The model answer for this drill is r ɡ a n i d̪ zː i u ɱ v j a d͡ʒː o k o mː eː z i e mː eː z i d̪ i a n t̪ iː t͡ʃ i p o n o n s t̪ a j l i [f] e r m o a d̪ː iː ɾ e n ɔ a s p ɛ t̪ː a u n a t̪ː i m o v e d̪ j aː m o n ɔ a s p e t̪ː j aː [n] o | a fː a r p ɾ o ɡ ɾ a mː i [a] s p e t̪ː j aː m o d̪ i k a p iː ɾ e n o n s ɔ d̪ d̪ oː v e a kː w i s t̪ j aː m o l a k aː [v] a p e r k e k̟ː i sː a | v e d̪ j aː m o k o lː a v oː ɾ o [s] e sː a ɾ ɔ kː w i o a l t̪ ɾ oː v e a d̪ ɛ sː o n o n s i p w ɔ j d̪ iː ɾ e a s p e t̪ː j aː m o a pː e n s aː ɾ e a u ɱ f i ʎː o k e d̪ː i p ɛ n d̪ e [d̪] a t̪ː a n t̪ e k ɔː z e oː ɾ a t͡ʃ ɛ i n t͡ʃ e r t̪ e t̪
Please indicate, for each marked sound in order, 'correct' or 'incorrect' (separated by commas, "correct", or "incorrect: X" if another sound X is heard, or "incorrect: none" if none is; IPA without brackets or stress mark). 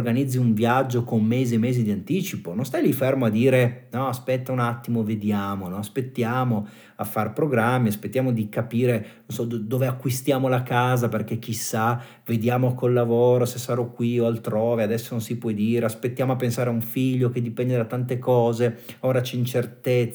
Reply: correct, incorrect: m, correct, incorrect: z, correct, correct